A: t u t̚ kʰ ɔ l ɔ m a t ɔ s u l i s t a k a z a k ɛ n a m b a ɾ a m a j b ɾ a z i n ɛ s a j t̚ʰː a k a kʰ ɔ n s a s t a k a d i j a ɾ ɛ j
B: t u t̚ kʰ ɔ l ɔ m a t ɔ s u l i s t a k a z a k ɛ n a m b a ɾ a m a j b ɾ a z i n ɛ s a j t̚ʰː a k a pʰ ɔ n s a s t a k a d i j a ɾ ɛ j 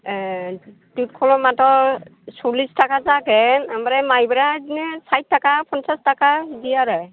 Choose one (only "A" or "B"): B